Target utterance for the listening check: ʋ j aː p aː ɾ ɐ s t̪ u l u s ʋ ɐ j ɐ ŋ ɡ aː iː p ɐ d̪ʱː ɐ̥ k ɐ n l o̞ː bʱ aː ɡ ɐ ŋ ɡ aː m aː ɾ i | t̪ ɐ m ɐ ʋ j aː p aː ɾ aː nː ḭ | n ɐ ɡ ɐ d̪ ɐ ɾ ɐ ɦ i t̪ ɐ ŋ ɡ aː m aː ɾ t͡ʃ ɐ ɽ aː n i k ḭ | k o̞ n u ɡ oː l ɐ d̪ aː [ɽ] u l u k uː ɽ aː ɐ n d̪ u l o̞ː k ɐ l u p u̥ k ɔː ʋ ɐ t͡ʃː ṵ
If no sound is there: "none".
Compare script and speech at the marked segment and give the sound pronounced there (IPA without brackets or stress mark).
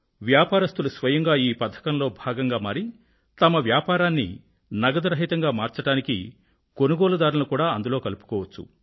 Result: ɾ